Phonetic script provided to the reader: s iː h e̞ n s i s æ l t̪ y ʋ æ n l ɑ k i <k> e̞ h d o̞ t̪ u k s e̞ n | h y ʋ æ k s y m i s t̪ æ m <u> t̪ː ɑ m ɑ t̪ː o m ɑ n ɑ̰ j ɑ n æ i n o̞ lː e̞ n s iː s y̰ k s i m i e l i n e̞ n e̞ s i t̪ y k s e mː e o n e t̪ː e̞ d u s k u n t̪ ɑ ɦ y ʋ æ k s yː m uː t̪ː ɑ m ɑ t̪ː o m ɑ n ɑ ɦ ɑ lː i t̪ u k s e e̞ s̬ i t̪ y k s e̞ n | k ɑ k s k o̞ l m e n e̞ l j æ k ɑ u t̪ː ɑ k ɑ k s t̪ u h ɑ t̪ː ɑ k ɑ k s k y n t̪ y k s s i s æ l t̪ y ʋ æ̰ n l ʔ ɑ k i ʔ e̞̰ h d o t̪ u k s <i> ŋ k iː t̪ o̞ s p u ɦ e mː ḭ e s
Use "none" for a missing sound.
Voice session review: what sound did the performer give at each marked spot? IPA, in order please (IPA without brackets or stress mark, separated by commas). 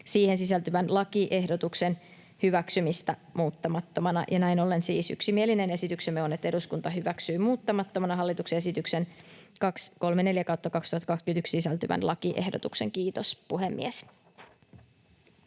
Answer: ʔ, uː, e